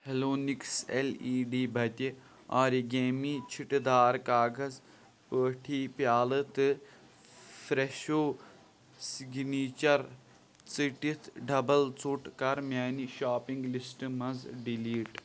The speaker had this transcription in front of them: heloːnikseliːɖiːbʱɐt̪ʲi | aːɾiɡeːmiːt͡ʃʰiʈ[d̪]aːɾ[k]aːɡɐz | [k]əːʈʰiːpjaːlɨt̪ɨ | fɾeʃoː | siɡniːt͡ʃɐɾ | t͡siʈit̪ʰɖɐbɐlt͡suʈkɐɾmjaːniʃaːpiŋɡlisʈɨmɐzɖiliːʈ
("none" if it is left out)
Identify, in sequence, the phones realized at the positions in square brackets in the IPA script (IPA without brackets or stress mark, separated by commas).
d̪, k, p